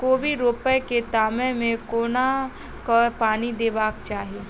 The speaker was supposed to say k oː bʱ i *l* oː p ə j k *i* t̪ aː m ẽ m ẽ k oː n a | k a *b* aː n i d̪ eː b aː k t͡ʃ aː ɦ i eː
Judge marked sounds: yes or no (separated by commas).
no, no, no